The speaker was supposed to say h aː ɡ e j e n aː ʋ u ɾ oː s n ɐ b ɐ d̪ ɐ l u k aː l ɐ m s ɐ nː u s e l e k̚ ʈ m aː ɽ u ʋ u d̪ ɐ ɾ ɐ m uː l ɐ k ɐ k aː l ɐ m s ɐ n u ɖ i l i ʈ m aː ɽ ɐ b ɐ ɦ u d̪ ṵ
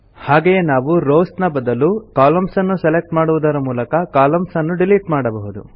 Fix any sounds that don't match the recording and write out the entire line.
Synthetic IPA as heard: h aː ɡ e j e n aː ʋ u ɾ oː s n ɐ b ɐ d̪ ɐ l u k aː l ɐ m s ɐ nː u s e l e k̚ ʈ m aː ɽ u ʋ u d̪ ɐ ɾ ɐ m uː l ɐ k ɐ k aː l ɐ m s ɐ nː u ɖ i l i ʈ m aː ɽ ɐ b ɐ ɦ u d̪ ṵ